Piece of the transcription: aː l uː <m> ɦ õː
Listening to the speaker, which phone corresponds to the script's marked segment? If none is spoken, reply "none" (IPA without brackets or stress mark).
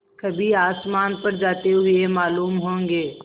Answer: m